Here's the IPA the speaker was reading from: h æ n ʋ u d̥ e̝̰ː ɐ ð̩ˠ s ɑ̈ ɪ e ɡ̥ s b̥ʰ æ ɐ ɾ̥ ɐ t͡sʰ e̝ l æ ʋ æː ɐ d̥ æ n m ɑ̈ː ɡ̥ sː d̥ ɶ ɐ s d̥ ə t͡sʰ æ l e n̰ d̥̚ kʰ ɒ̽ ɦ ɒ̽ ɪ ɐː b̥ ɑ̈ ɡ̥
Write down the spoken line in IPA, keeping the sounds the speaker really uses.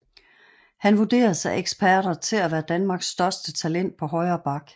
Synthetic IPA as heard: h æ n ʋ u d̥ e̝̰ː ɐ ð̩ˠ s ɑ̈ ɪ e ɡ̥ s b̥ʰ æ ɐ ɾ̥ ɐ t͡sʰ e̝ l æ ʋ æː ɐ d̥ æ n m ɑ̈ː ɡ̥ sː d̥ ɶ ɐ s d̥ ə t͡sʰ æ l e n̰ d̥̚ pʰ ɒ̽ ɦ ɒ̽ ɪ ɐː b̥ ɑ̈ ɡ̥